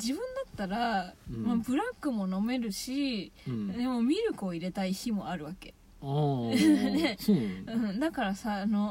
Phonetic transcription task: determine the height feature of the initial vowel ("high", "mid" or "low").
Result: high